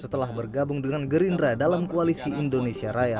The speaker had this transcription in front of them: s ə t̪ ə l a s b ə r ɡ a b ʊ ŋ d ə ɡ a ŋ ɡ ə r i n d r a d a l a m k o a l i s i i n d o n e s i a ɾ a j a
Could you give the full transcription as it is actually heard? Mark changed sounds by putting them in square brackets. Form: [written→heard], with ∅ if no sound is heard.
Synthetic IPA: s ə t̪ ə l a [s→h] b ə r ɡ a b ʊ ŋ d ə [ɡ→ŋ] a [ŋ→n] ɡ ə [r→ɾ] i n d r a d a l a m k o a l i s i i n d o n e s i a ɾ a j a